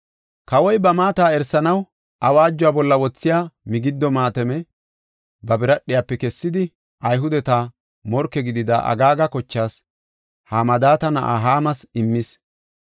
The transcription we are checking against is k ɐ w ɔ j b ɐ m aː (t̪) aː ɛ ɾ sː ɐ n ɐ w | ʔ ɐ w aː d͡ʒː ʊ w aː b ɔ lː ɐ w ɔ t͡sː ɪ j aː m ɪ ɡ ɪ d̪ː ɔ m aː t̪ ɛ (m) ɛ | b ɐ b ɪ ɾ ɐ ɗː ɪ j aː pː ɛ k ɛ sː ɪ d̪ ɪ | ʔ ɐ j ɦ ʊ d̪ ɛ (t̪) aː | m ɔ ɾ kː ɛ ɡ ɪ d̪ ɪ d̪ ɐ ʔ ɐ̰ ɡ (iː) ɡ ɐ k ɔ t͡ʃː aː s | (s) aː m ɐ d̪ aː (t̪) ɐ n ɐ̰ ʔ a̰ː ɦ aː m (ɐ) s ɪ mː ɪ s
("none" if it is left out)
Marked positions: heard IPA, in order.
t̪, m, t̪, aː, h, t̪, ɐ

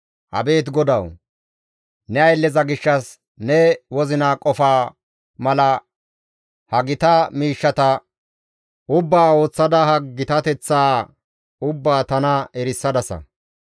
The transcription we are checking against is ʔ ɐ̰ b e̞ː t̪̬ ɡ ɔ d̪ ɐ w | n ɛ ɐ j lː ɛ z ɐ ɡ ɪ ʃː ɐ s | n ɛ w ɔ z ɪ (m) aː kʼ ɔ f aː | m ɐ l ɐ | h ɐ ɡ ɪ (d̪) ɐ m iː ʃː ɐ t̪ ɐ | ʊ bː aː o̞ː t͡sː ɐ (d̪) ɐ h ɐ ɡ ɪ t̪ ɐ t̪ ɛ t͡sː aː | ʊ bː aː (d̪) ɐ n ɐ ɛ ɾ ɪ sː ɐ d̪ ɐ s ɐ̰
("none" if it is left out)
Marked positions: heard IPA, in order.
n, t̪, d̪, t̪

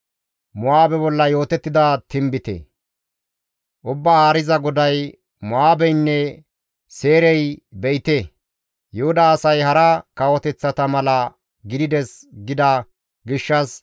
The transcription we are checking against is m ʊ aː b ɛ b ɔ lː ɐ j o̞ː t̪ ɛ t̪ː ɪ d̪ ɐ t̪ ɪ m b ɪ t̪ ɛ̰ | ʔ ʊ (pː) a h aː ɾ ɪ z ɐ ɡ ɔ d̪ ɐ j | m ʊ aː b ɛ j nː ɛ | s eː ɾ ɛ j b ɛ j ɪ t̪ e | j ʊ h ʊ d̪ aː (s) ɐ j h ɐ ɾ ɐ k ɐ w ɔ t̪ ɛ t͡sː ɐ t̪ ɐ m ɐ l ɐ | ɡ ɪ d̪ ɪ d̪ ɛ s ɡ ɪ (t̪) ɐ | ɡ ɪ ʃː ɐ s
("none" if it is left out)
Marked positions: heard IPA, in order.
bː, s, d̪

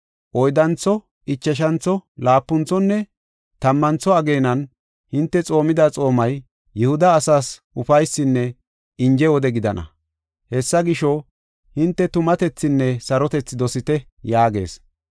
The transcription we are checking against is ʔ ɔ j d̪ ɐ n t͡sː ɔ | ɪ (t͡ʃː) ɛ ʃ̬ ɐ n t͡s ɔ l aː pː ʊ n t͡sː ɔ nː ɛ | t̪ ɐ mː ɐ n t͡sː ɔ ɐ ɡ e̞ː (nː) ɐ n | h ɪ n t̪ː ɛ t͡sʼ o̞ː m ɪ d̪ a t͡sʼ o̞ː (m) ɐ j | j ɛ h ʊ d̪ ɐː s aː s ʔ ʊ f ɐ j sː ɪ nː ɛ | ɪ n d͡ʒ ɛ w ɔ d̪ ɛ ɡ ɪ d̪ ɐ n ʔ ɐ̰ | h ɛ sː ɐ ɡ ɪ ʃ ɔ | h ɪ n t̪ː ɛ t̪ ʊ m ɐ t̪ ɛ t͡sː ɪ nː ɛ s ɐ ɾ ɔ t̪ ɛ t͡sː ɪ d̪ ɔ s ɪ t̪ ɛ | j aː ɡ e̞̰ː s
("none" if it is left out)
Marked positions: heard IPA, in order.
t͡ʃː, n, m

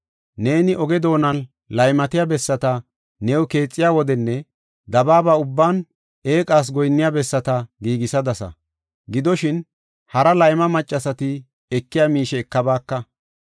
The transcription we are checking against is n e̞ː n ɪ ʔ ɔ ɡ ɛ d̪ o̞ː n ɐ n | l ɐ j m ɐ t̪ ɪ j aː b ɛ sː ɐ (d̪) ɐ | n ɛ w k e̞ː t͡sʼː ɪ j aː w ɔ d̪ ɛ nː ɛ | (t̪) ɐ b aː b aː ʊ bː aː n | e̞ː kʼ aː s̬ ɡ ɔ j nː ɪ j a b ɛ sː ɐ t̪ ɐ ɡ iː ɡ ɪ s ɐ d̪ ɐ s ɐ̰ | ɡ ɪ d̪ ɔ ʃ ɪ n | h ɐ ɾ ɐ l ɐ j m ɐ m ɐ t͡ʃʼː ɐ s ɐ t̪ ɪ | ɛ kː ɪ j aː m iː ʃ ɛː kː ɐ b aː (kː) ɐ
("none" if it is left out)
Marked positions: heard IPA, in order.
t̪, d̪, kː

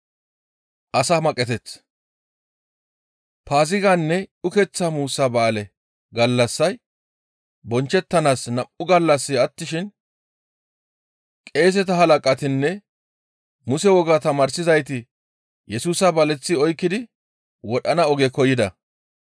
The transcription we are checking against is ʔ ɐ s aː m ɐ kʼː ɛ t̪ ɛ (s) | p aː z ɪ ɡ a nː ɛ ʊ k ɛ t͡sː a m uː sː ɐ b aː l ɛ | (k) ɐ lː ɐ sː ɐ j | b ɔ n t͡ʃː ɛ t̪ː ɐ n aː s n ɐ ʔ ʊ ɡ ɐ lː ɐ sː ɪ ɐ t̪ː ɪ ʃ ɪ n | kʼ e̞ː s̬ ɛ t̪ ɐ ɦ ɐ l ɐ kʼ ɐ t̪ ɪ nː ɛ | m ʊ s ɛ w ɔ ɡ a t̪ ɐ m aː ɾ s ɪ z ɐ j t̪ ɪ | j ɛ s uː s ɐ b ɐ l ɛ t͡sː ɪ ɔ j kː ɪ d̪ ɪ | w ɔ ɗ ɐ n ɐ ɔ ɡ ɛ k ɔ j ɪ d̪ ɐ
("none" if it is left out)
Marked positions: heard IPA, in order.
t͡s, ɡ

